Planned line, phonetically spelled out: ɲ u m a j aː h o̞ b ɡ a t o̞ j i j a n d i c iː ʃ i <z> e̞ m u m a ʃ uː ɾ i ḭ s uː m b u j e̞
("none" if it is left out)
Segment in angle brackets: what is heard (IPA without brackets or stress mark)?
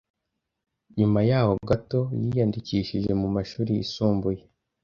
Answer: ʒ